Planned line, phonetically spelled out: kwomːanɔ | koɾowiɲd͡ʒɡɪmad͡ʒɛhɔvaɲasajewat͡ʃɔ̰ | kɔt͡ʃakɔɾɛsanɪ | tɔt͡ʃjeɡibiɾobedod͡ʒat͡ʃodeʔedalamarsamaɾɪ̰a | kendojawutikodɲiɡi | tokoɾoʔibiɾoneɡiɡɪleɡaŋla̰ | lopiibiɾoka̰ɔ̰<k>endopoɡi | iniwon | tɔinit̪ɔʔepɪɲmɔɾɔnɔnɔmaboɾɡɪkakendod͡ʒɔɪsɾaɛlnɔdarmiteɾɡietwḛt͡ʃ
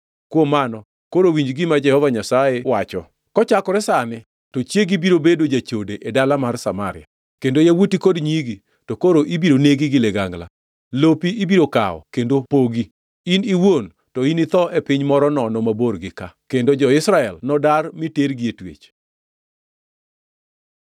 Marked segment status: correct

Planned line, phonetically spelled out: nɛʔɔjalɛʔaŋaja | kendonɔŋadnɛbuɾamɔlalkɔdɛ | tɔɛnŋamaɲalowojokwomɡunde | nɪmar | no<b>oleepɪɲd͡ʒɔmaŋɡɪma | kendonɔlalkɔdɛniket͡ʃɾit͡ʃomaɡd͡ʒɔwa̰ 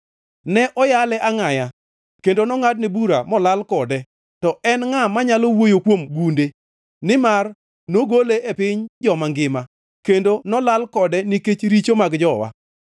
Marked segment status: incorrect: ɡ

